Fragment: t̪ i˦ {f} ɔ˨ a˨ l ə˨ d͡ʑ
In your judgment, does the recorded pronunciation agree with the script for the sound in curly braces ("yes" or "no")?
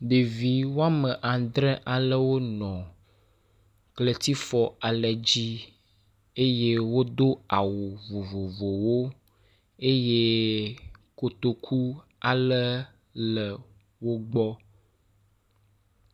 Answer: yes